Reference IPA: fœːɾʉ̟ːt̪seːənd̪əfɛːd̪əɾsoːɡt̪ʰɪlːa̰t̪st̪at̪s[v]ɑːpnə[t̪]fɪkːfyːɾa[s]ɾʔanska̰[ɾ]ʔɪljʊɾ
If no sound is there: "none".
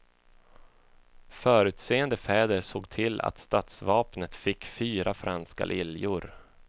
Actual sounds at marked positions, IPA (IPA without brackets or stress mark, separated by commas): v, t̪, f, l